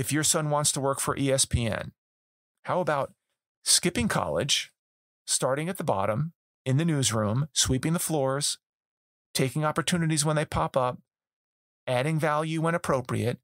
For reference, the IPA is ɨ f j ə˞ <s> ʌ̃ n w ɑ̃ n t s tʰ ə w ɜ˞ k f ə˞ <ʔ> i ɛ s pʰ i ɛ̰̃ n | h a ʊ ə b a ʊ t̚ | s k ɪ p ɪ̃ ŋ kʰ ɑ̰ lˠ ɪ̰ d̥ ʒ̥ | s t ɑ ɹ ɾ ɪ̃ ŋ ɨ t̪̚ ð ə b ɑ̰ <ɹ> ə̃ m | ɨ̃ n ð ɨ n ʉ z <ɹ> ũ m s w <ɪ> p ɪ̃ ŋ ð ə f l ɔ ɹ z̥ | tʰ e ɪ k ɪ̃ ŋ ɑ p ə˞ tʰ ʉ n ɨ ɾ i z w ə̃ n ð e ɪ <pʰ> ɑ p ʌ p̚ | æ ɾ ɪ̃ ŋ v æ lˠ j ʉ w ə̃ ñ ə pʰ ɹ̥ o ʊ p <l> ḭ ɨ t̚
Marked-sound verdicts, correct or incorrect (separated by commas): correct, correct, incorrect, correct, incorrect, correct, incorrect